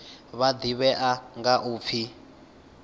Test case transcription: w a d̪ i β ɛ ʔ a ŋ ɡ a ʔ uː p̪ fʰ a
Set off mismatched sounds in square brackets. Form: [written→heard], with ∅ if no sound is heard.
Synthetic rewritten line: [w→β] a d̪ i β ɛ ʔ a ŋ ɡ a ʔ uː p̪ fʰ [a→i]